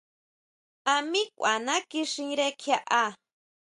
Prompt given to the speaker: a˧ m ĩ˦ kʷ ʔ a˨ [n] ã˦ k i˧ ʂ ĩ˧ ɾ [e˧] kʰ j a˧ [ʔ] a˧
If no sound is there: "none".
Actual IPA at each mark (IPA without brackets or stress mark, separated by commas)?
n, e˧, ʔ